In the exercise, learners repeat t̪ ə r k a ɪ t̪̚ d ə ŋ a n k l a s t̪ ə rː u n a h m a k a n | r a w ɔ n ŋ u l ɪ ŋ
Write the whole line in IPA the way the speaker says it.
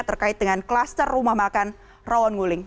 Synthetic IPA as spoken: t̪ ə r k a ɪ t̪̚ d ə ŋ a n k l a s t̪ ə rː u m a h m a k a n | r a w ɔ n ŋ u l ɪ ŋ